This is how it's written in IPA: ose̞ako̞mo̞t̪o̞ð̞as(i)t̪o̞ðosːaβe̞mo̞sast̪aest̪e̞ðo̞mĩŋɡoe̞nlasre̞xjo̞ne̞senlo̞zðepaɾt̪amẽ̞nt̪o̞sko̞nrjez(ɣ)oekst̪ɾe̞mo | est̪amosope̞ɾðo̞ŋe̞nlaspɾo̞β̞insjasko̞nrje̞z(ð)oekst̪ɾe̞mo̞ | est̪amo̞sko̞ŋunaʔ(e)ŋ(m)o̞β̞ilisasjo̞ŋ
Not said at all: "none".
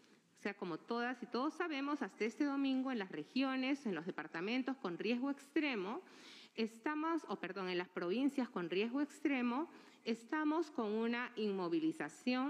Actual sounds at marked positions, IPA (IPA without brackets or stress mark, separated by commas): i, ɣ, ɣ, i, m